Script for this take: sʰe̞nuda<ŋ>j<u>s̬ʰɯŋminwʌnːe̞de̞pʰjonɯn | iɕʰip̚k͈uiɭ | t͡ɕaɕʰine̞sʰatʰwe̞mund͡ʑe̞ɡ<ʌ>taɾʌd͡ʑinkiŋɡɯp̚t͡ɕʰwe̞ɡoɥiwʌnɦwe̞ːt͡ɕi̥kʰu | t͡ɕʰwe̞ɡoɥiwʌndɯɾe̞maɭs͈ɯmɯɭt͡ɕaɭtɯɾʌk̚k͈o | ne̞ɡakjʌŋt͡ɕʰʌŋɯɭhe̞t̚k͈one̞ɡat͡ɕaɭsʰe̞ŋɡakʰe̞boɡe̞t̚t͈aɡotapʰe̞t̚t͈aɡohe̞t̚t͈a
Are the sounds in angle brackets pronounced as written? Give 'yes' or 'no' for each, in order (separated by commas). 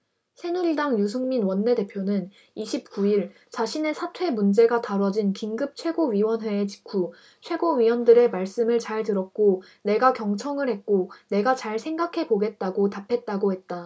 yes, yes, no